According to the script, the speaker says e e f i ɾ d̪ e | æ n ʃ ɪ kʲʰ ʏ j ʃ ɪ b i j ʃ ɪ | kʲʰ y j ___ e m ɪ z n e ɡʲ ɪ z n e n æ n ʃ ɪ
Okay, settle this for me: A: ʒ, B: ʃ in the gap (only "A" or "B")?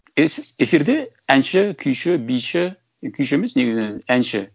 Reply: B